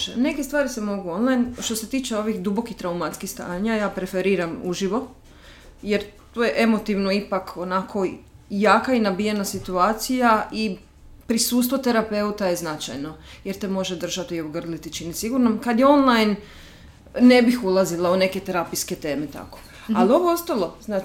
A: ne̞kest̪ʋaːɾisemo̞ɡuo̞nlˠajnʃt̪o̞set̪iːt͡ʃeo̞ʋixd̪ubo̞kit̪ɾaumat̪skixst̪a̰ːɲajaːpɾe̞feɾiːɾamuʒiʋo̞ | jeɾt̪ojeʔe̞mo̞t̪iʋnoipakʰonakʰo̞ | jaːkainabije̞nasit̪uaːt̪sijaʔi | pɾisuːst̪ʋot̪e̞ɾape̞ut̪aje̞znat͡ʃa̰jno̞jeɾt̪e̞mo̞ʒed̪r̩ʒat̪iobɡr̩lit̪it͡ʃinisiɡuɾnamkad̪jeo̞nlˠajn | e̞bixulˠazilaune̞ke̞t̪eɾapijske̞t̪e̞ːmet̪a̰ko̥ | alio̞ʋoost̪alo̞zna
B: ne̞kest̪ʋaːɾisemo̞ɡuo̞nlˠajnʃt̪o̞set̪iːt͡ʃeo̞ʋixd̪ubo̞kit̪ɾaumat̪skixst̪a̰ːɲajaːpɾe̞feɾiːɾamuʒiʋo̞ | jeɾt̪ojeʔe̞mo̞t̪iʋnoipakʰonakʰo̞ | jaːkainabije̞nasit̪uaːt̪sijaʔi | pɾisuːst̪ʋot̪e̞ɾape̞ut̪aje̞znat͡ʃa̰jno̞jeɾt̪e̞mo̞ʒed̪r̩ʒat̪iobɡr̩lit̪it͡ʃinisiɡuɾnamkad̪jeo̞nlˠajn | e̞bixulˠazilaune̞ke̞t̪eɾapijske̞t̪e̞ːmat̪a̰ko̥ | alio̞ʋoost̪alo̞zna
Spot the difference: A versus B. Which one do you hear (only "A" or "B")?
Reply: A